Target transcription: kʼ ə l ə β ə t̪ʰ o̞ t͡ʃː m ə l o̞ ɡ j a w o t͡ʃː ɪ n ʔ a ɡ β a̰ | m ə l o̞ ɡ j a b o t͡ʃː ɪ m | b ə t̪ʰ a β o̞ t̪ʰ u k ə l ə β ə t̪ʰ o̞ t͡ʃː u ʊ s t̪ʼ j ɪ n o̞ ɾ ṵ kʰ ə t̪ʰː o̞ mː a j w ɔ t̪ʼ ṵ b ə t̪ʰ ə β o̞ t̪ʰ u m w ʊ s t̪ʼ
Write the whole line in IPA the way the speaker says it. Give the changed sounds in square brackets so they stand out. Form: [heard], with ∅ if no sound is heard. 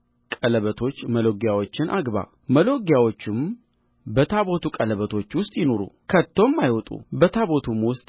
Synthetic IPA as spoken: kʼ ə l ə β ə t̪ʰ o̞ t͡ʃː m ə l o̞ ɡ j a w o t͡ʃː ɪ n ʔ a ɡ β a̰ | m ə l o̞ ɡ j a [w] o t͡ʃː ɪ m | b ə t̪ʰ a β o̞ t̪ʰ u [kʼ] ə l ə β ə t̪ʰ o̞ t͡ʃː [w] ʊ s t̪ʼ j ɪ n o̞ ɾ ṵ kʰ ə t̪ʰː o̞ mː a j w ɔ t̪ʼ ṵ b ə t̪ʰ [a] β o̞ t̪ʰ u m w ʊ s t̪ʼ